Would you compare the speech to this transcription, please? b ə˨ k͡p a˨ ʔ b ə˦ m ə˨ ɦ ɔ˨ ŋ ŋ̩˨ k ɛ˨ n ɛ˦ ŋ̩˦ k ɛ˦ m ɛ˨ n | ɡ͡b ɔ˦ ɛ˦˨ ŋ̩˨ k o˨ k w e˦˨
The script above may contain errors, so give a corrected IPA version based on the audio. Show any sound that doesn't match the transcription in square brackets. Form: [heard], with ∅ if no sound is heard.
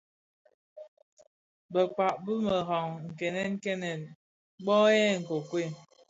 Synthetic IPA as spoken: b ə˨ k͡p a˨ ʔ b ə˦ m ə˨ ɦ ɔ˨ ŋ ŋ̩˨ k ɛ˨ n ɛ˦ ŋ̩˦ k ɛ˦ [n] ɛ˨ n | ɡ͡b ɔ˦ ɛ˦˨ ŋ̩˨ k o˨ k w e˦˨